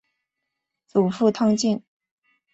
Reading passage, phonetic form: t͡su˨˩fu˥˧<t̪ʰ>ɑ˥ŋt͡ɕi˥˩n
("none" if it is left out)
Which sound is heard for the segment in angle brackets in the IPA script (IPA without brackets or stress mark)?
t̪ʰ